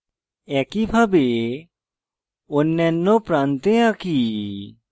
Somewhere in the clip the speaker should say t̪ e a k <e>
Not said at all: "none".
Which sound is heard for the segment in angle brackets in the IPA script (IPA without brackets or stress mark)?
i